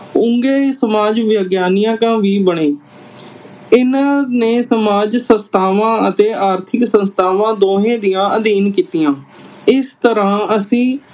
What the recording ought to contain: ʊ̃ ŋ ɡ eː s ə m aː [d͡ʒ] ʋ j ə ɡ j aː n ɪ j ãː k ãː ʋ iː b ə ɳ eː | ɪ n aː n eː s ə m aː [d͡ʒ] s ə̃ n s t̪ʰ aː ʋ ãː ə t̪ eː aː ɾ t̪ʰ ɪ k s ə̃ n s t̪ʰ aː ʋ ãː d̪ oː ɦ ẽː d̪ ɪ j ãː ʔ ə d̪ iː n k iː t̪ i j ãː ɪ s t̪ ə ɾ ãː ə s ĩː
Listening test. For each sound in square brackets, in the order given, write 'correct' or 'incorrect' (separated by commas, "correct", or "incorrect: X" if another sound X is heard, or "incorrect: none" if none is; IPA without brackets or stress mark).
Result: correct, correct